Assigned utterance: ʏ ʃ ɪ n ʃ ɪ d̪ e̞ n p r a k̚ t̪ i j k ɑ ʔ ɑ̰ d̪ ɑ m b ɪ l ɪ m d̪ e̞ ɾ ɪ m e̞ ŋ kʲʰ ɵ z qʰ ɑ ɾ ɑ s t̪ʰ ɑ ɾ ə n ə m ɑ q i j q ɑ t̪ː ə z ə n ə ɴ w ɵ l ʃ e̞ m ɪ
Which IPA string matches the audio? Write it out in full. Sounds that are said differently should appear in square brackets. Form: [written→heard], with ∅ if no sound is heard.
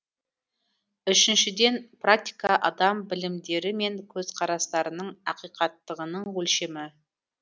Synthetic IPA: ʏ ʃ ɪ n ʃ ɪ d̪ e̞ n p r a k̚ t̪ i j k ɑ ʔ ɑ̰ d̪ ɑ m b ɪ l ɪ m d̪ e̞ ɾ ɪ m e̞ ŋ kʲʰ ɵ z qʰ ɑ ɾ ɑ s [t̪ʰ→t̪] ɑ ɾ ə n ə [m→ɴ] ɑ q i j q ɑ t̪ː ə [z→ʁ] ə n ə ɴ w ɵ l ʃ e̞ m ɪ